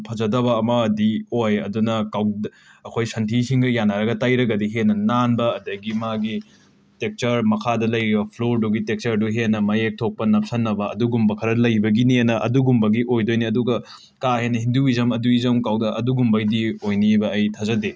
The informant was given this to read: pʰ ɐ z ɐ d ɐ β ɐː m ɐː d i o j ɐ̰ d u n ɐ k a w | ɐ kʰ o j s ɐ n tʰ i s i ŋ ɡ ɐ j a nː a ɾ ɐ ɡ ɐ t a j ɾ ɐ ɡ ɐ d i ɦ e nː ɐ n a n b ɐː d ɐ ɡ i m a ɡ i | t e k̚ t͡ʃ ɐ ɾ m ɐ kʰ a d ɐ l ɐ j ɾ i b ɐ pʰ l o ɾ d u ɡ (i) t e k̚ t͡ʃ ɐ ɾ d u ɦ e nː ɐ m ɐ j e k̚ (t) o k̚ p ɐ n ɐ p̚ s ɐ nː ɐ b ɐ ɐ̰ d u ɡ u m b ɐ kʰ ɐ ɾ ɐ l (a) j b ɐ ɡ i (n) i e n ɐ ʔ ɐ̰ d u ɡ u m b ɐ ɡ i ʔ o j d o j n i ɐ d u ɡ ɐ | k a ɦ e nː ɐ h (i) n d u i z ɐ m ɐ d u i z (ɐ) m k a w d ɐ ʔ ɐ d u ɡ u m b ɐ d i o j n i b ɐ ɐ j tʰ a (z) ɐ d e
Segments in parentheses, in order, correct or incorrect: correct, incorrect, incorrect, correct, correct, correct, correct

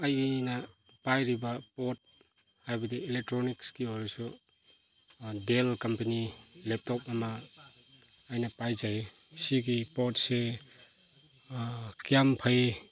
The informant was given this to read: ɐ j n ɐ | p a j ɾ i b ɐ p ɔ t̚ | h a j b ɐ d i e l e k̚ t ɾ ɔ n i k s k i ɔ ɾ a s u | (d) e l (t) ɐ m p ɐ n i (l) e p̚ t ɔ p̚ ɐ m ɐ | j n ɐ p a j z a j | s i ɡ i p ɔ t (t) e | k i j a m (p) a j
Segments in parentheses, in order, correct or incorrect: correct, incorrect, correct, incorrect, incorrect

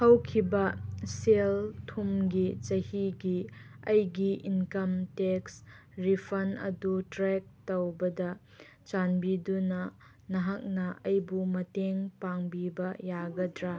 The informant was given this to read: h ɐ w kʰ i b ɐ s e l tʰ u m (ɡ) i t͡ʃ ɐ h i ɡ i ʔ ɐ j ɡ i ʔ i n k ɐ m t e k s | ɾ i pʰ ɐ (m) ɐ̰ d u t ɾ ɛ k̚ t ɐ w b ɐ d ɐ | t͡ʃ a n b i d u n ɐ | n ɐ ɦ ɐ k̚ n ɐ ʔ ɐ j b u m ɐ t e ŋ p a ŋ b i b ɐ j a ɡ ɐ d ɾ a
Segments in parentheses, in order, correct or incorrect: correct, incorrect

